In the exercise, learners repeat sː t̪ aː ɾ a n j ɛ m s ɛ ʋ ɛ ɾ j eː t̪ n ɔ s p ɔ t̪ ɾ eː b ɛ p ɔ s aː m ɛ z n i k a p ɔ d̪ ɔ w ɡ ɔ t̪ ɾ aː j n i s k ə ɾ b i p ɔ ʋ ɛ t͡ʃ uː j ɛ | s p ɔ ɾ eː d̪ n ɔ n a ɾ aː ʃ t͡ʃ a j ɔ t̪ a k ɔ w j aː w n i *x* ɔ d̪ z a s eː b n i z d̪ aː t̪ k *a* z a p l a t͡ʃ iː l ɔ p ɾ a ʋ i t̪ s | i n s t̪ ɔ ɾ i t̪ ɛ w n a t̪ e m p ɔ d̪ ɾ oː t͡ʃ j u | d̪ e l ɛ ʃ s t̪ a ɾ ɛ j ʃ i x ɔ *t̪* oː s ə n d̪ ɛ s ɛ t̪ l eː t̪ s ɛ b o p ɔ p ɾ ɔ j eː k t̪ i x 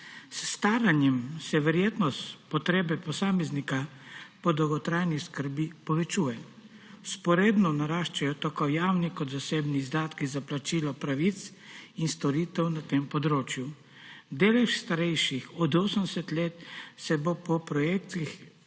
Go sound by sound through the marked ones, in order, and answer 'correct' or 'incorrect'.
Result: incorrect: k, incorrect: i, incorrect: d̪

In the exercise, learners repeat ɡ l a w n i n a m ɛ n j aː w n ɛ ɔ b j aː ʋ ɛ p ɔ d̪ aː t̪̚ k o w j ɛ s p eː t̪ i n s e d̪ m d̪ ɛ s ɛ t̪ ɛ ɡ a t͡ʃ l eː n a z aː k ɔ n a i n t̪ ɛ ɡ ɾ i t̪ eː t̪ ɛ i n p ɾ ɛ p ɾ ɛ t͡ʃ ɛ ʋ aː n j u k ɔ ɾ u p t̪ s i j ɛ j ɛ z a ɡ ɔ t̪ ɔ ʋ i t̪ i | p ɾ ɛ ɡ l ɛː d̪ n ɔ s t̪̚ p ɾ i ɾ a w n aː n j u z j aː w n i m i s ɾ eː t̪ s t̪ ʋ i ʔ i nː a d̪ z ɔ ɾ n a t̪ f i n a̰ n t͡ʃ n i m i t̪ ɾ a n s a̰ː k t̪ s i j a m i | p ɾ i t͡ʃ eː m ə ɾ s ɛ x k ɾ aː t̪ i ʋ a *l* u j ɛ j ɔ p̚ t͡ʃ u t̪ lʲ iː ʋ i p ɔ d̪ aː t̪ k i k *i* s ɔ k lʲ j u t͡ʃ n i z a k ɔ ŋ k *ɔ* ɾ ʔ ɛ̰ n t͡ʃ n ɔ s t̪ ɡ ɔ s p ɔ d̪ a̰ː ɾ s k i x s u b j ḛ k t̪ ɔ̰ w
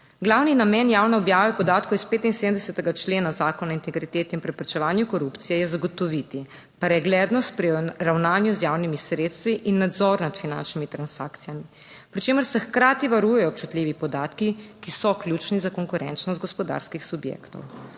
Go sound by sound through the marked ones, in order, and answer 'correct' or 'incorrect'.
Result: incorrect: ɾ, correct, incorrect: u

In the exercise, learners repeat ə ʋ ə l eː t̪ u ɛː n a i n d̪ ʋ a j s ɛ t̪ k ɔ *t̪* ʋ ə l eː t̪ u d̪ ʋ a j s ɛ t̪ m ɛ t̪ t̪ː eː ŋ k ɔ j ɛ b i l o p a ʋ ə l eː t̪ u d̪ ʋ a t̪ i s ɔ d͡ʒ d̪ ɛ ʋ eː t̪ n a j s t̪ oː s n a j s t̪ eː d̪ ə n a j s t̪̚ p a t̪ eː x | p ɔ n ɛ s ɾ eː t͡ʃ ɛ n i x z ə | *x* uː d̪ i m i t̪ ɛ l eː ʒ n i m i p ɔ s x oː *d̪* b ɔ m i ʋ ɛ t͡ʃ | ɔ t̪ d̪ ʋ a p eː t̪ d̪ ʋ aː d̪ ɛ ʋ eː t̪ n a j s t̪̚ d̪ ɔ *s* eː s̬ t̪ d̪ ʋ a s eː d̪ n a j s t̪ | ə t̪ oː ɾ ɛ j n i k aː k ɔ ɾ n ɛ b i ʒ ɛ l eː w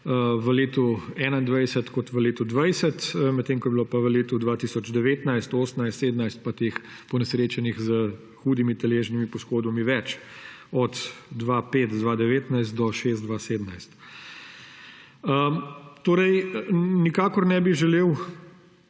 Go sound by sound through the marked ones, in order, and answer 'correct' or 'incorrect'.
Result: correct, correct, correct, incorrect: ʃ

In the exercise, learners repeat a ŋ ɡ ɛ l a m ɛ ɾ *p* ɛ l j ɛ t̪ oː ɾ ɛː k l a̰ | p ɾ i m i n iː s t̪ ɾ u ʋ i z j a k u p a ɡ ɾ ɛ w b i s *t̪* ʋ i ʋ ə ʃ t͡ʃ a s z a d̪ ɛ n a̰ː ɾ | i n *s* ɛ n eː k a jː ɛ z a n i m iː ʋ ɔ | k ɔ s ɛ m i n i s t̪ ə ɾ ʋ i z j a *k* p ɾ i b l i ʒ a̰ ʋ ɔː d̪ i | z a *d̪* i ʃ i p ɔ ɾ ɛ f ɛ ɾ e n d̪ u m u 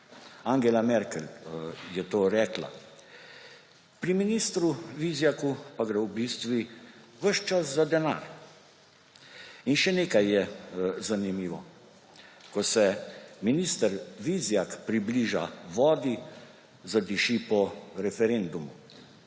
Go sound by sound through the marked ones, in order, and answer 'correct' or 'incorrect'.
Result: incorrect: k, correct, incorrect: ʃ, correct, correct

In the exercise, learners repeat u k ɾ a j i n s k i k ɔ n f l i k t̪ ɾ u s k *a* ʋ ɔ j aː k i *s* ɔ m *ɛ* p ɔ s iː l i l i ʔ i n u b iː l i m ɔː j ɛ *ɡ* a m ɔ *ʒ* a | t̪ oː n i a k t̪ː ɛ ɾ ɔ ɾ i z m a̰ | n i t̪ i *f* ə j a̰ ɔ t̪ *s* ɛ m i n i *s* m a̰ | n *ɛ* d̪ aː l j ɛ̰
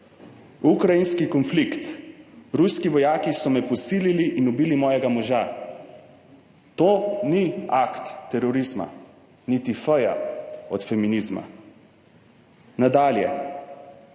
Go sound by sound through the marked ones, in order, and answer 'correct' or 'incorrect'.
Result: incorrect: i, correct, correct, correct, correct, correct, incorrect: f, incorrect: z, incorrect: a

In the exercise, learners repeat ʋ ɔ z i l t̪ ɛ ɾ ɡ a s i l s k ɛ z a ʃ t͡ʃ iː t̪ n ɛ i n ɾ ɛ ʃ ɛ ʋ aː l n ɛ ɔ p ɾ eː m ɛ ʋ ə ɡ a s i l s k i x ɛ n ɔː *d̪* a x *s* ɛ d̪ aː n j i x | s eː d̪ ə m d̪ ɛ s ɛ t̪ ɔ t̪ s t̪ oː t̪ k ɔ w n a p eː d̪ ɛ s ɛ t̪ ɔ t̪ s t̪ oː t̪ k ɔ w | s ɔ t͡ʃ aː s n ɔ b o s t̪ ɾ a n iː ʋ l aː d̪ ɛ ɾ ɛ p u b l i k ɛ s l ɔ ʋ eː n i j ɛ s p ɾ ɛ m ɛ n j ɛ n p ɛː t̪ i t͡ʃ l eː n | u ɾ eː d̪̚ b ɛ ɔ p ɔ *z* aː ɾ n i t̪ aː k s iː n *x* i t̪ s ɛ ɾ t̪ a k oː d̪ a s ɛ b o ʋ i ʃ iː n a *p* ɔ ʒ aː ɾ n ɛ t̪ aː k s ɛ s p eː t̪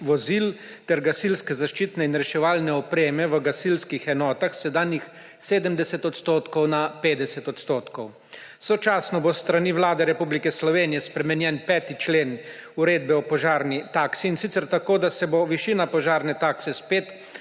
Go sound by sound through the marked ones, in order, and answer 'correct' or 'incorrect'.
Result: incorrect: t̪, correct, incorrect: ʒ, incorrect: s, correct

